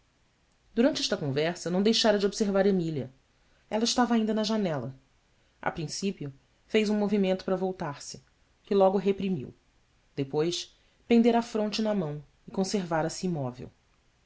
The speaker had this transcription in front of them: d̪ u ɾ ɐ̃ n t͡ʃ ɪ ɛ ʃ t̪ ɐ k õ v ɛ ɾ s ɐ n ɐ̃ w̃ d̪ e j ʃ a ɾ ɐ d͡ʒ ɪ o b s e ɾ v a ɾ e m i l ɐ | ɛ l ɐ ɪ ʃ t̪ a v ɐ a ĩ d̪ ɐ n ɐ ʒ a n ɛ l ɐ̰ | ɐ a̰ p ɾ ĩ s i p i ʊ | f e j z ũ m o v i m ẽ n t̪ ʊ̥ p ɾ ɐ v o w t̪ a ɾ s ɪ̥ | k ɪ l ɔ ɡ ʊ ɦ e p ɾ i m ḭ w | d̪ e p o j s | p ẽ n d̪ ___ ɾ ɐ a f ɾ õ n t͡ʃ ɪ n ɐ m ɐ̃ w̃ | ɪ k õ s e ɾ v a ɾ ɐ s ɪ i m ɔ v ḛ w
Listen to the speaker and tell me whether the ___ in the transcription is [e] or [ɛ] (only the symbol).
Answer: e